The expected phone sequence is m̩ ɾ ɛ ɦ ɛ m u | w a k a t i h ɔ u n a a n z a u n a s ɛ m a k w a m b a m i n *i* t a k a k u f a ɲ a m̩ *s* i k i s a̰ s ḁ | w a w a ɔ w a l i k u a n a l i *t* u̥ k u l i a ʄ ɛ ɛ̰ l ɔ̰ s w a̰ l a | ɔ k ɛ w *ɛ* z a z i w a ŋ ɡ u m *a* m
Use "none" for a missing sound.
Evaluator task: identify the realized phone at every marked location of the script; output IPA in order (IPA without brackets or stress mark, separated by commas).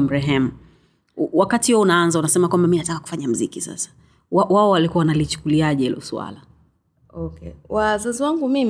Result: a, z, t͡ʃ, a, i